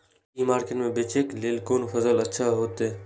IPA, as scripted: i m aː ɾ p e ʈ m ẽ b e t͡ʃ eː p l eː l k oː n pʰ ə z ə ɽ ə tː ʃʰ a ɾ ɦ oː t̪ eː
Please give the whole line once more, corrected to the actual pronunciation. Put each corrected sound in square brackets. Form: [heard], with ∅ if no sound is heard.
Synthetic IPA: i m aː ɾ [k] e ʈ m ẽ b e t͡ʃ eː [k] l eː l k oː n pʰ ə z ə [l] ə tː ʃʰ a [∅] ɦ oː t̪ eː